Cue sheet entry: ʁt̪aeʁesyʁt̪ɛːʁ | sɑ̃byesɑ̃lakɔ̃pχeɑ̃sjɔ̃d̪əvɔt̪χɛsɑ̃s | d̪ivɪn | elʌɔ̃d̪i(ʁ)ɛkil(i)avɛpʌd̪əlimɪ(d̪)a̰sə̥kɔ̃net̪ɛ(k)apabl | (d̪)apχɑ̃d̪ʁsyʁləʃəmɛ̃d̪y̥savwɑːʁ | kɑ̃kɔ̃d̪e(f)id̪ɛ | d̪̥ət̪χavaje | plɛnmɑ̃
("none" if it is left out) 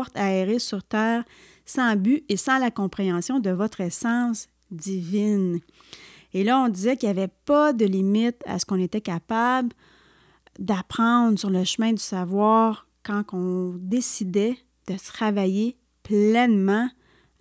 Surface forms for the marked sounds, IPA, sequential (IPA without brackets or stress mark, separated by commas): z, j, t̪, k, d̪, s